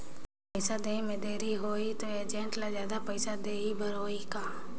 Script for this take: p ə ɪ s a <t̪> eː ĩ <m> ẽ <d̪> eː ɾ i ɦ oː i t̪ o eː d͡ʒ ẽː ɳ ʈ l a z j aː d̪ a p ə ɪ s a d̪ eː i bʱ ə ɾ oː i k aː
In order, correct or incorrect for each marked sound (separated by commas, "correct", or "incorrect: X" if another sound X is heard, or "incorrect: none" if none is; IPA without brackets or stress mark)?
incorrect: d̪, correct, correct